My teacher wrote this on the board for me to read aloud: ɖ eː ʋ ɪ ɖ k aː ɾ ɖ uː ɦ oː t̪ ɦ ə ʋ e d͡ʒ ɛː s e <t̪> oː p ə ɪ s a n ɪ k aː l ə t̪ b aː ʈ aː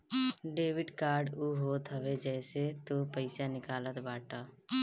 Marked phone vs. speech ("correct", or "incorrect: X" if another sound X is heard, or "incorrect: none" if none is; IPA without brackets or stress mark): correct